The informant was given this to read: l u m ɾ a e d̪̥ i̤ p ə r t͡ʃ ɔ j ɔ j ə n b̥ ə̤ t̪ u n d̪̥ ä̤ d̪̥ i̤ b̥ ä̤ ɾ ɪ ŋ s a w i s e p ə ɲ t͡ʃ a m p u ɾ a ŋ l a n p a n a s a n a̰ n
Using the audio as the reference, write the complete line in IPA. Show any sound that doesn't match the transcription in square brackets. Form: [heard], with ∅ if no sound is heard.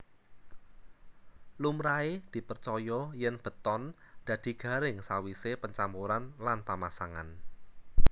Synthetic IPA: l u m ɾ a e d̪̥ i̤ p ə r t͡ʃ ɔ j ɔ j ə n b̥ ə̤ t̪ [ɔ] n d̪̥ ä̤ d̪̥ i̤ [ɡ̥] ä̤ ɾ ɪ ŋ s a w i s e p ə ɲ t͡ʃ a m p u ɾ a [n] l a n p a [m] a s a [ŋ] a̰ n